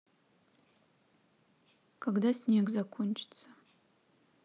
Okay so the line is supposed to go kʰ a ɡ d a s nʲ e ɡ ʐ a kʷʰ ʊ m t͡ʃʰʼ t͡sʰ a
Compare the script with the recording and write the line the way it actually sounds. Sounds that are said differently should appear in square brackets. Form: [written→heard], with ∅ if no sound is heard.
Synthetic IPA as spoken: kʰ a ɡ d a s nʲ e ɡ [ʐ→z] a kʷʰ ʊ [m→n] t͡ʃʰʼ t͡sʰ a